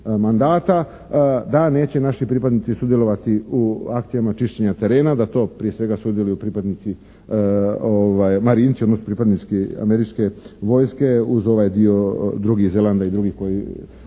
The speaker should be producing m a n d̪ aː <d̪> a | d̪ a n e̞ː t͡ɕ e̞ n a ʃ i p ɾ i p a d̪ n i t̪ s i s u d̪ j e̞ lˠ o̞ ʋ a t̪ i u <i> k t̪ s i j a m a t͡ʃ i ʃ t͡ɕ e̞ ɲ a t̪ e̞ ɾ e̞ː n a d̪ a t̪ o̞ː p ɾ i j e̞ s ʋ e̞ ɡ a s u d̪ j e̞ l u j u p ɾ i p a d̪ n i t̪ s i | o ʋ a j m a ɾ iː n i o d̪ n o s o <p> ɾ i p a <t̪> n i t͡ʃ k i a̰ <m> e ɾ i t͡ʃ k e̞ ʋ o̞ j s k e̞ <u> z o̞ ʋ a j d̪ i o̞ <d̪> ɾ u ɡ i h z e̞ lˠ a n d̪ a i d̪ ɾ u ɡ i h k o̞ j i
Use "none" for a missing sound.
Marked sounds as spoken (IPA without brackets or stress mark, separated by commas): t̪, a, p, d̪, m, u, d̪